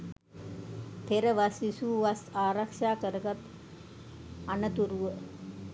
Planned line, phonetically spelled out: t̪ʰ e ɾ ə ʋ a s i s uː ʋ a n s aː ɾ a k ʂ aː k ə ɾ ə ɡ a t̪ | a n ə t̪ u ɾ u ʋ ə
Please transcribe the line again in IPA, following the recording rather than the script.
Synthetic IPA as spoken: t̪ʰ e ɾ ə ʋ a s i s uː ʋ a s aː ɾ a k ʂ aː k ə ɾ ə ɡ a t̪ | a n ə t̪ u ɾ u ʋ ə